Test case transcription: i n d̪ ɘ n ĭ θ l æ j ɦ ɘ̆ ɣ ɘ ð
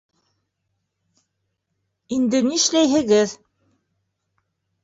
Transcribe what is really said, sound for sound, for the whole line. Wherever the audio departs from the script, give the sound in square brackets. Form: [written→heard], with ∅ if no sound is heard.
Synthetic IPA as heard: i n d̪ ɘ n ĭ [θ→ʃ] l æ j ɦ ɘ̆ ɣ ɘ ð